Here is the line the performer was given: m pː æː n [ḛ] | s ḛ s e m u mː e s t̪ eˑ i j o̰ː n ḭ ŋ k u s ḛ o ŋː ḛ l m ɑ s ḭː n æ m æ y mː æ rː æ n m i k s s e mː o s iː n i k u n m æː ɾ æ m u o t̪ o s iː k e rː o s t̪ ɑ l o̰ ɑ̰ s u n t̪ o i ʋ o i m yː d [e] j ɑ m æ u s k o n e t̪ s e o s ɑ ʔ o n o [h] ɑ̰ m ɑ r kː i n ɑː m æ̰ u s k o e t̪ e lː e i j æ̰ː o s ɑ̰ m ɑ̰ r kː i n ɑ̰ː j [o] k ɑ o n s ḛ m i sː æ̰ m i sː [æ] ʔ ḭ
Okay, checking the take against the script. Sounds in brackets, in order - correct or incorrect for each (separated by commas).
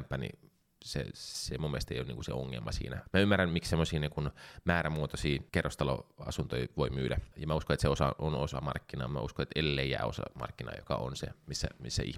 incorrect, incorrect, incorrect, correct, correct